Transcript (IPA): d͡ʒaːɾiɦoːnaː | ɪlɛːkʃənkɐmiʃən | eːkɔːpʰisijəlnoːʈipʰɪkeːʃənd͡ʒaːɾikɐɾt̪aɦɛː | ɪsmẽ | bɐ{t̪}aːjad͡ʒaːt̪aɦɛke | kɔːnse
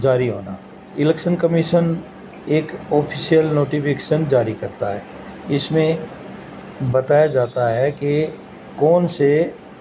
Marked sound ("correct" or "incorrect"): correct